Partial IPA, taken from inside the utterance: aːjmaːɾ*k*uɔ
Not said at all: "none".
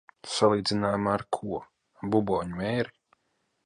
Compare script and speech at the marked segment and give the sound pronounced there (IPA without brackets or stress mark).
kʰ